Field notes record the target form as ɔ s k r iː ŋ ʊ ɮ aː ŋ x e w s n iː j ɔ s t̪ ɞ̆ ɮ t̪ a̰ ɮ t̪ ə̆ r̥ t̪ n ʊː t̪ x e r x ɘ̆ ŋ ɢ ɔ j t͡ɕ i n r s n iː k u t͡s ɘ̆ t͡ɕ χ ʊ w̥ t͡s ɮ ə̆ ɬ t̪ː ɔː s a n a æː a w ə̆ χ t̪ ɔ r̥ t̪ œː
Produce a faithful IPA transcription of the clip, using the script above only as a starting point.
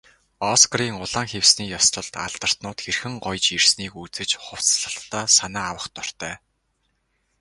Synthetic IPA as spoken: ɔ s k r iː ŋ ʊ ɮ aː ŋ x e w s n iː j ɔ s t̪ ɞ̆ ɮ t̪ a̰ ɮ t̪ ə̆ r̥ t̪ n ʊː t̪ x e r x ɘ̆ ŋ ɢ ɔ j t͡ɕ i r s n iː k u t͡s ɘ̆ t͡ɕ χ ʊ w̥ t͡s ɮ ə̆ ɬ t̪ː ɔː s a n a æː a w ə̆ χ t̪ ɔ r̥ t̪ œː